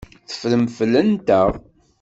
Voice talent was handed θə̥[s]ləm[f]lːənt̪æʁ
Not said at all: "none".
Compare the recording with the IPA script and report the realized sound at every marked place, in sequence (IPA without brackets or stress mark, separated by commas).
f, f